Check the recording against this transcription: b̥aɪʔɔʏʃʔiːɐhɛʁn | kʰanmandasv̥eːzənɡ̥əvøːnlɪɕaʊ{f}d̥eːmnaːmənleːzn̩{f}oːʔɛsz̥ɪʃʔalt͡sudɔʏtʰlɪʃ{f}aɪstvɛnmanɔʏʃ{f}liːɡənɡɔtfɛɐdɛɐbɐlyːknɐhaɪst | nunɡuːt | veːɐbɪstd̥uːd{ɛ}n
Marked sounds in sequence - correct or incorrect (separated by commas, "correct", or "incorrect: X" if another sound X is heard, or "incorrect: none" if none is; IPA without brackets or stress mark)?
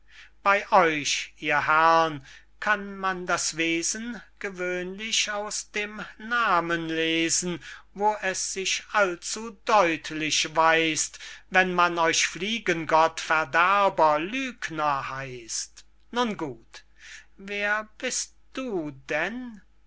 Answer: incorrect: s, incorrect: v, incorrect: v, correct, correct